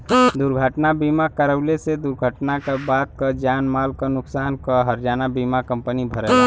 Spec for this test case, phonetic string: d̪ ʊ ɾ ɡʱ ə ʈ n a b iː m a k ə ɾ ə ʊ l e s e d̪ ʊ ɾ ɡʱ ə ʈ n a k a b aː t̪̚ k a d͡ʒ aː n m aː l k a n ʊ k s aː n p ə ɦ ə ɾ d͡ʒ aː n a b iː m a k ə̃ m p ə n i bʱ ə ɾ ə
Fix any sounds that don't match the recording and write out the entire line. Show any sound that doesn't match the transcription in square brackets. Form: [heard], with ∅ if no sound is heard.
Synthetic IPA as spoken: d̪ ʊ ɾ ɡʱ ə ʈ n a b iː m a k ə ɾ ə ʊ l e s e d̪ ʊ ɾ ɡʱ ə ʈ n a k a b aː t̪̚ k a d͡ʒ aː n m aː l k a n ʊ k s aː n [k] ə ɦ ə ɾ d͡ʒ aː n a b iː m a k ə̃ m p ə n i bʱ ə ɾ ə

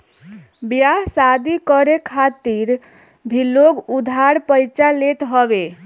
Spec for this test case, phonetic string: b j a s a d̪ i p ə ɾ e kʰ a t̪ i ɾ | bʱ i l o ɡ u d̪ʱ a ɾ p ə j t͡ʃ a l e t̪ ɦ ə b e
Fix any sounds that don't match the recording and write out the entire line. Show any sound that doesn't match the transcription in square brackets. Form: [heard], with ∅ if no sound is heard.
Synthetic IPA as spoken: b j a s a d̪ i [k] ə ɾ e kʰ a t̪ i ɾ | bʱ i l o ɡ u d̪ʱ a ɾ p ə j t͡ʃ a l e t̪ ɦ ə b e

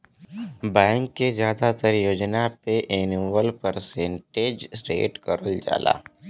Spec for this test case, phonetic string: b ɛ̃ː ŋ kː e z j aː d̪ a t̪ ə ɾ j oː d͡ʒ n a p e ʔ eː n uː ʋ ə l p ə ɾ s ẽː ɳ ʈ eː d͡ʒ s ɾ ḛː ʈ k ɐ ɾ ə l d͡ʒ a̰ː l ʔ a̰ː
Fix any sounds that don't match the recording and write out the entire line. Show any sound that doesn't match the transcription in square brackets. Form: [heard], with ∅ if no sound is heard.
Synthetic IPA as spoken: b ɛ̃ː ŋ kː e z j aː d̪ a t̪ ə ɾ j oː d͡ʒ n a p e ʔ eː n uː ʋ ə l p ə ɾ s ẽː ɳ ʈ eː d͡ʒ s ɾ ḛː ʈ k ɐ ɾ ə l d͡ʒ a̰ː l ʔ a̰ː

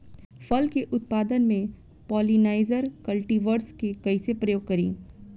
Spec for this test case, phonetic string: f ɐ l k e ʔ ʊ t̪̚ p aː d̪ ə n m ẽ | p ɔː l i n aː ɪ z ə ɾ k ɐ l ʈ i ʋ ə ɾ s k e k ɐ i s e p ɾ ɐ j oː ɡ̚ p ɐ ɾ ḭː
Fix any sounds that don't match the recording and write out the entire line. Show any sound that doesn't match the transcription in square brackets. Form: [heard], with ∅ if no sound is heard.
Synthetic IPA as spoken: f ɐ l k e ʔ ʊ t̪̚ p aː d̪ ə n m ẽ | p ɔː l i n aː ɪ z ə ɾ k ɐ l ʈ i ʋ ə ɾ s k e k ɐ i s e p ɾ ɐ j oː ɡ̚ [k] ɐ ɾ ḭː

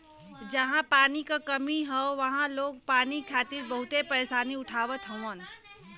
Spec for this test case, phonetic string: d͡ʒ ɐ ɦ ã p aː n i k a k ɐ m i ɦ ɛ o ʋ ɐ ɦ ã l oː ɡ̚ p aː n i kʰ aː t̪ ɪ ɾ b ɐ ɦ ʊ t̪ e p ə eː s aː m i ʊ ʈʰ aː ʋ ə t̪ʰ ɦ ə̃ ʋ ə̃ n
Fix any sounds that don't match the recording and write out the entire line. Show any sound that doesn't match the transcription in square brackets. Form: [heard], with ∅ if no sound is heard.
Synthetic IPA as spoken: d͡ʒ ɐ ɦ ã p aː n i k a k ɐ m i ɦ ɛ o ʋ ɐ ɦ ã l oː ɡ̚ p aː n i kʰ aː t̪ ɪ ɾ b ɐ ɦ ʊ t̪ e p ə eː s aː [n] i ʊ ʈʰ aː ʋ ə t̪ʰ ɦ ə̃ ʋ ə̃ n

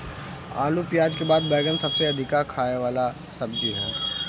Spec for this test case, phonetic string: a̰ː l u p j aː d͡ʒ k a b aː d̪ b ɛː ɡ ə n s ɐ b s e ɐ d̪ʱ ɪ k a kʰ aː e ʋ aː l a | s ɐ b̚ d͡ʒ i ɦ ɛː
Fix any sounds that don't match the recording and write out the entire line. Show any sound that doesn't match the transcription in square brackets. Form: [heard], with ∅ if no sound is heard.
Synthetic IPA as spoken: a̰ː l u p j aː d͡ʒ k [e] b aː d̪ b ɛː ɡ ə n s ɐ b s e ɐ d̪ʱ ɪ k a kʰ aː e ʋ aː l a | s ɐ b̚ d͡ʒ i ɦ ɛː

